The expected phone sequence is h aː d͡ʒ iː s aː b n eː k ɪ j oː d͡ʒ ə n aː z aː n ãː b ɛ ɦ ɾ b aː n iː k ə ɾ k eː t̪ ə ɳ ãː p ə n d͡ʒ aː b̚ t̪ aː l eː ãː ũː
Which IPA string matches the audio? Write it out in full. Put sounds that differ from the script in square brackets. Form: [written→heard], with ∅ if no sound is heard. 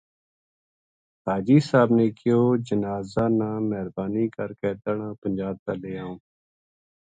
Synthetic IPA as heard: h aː d͡ʒ iː s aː b n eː k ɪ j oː d͡ʒ ə n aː z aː n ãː [b→m] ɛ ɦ ɾ b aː n iː k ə ɾ k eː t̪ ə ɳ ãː p ə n d͡ʒ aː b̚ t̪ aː l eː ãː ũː